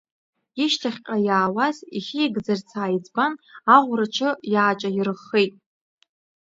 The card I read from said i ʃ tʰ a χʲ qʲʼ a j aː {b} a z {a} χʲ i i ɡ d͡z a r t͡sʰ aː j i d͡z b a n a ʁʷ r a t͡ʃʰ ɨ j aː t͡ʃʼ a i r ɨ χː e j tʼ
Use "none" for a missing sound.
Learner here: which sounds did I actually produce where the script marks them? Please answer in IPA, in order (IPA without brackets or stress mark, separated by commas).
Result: w, i